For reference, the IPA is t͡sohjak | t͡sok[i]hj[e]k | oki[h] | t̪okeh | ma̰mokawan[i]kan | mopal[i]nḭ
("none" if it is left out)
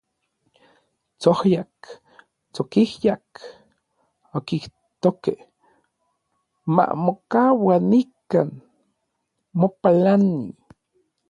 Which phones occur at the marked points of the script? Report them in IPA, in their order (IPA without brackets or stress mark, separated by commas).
i, a, h, i, a